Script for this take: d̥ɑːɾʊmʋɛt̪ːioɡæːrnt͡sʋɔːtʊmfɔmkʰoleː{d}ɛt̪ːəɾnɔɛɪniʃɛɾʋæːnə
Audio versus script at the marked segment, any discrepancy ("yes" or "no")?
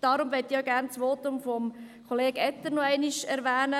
yes